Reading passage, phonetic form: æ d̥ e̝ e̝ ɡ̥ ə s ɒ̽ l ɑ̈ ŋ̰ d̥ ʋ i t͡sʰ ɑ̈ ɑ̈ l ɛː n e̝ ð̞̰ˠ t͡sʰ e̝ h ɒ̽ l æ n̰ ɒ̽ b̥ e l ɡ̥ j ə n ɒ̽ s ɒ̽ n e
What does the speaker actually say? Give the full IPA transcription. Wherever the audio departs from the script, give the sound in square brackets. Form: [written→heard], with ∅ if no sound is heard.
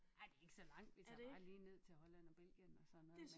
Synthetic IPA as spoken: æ d̥ e̝ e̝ ɡ̥ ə s ɒ̽ l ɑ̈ ŋ̰ d̥ ʋ i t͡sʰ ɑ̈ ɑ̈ l [ɛː→iː] n e̝ ð̞̰ˠ t͡sʰ e̝ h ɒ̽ l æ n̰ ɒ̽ b̥ e l ɡ̥ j ə n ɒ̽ s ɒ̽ n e